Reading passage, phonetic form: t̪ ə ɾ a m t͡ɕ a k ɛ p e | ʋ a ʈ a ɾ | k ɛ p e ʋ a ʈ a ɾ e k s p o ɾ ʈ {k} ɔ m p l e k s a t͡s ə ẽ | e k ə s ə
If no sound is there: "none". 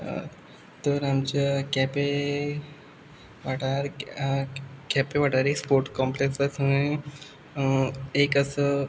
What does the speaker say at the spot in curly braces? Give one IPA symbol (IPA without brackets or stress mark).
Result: k